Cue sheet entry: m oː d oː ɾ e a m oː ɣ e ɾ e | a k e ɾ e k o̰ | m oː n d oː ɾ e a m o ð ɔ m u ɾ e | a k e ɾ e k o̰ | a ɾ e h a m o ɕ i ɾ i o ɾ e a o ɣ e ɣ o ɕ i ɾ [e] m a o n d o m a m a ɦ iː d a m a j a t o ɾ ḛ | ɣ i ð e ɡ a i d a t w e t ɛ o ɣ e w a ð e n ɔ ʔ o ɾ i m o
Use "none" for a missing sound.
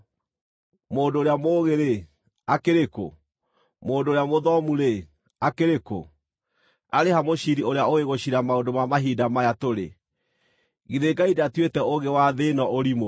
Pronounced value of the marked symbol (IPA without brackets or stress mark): a